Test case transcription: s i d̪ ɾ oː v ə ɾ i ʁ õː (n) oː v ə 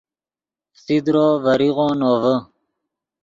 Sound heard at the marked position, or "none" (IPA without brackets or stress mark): n